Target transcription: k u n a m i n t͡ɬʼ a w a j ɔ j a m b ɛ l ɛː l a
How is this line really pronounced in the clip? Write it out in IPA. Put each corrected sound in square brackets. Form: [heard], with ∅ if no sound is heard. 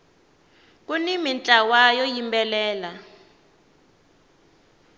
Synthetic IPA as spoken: k u n [i] m i n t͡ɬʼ a w a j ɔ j [i] m b ɛ l ɛː l a